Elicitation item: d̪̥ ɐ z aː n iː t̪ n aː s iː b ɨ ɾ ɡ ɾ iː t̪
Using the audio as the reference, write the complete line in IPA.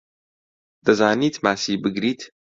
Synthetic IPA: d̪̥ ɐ z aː n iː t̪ m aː s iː b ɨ ɡ ɾ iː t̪